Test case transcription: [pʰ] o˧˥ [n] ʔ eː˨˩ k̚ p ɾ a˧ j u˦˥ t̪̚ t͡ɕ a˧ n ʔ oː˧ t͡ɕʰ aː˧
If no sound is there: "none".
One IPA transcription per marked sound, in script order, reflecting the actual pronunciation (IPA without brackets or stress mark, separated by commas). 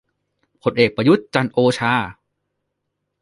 pʰ, n